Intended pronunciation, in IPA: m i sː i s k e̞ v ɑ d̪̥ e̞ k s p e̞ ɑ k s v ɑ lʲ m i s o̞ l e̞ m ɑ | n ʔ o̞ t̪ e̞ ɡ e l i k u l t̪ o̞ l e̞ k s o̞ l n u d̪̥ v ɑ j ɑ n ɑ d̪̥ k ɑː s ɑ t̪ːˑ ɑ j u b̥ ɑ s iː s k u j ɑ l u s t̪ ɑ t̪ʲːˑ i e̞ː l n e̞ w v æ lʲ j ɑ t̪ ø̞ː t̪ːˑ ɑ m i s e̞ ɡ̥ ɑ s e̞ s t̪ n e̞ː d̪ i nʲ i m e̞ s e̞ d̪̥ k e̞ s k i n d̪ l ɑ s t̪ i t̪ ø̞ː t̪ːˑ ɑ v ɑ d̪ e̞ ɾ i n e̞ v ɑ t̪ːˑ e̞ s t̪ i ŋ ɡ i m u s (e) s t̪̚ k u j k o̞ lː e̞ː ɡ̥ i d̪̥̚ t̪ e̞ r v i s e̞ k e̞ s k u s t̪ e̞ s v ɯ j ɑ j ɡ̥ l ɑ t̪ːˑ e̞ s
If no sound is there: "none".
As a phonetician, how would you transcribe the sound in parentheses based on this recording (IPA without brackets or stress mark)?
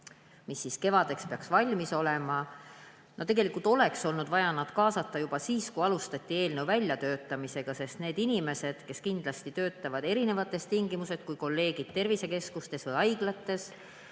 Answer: e